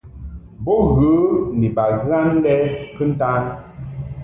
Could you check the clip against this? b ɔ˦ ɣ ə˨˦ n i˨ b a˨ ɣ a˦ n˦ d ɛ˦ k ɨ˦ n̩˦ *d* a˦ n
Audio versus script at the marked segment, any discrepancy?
yes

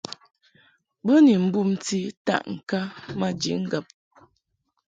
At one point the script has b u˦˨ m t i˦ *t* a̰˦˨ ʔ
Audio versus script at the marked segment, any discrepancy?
no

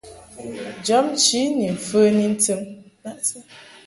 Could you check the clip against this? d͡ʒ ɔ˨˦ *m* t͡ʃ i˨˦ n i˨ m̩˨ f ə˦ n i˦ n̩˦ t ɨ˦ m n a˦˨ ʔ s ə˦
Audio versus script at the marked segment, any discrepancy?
no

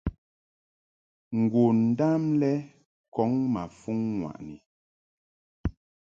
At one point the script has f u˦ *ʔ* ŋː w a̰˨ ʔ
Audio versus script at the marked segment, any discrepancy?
yes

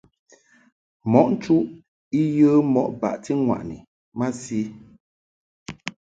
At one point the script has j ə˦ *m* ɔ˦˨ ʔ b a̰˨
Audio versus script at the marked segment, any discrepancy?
no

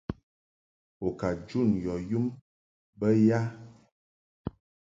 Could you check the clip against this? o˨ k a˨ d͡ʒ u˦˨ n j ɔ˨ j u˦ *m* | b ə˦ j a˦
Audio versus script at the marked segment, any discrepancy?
no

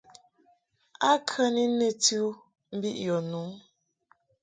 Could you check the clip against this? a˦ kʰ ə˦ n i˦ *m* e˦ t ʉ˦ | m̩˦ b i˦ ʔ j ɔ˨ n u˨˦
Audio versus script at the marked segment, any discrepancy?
yes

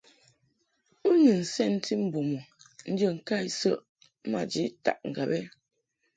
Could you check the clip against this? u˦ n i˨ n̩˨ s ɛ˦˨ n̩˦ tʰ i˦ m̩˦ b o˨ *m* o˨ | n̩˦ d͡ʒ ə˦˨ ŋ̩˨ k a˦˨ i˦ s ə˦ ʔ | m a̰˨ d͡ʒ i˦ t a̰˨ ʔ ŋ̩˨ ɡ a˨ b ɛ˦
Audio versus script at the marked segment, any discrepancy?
no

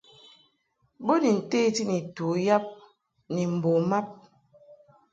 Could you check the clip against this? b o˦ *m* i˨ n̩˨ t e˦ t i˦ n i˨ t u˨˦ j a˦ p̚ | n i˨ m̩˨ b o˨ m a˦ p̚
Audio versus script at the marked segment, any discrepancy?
yes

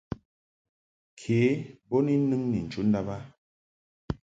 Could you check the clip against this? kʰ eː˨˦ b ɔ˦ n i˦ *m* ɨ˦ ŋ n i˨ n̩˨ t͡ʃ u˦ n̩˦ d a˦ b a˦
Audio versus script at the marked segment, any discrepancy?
yes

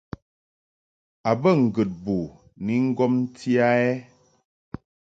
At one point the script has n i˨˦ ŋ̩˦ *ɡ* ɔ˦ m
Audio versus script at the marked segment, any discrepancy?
no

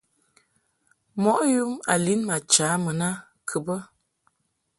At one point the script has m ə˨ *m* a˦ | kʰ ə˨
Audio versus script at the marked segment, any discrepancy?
yes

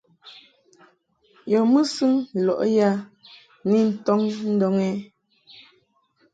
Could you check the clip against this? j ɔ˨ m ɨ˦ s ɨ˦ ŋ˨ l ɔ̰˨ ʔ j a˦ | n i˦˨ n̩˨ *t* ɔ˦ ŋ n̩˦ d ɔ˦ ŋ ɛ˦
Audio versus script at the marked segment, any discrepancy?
no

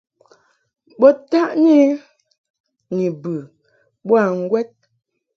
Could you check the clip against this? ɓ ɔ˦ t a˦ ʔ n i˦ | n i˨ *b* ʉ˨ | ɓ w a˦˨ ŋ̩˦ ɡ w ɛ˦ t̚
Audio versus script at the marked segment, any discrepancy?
no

